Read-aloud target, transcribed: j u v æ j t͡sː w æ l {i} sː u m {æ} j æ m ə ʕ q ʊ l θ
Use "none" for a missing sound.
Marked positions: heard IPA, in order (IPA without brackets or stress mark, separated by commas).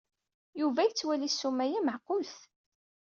i, æ